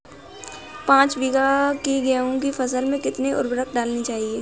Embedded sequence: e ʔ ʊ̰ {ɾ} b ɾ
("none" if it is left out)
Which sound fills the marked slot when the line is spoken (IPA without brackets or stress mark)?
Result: ɾ